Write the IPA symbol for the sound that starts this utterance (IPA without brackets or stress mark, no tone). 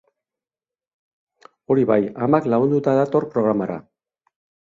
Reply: o̞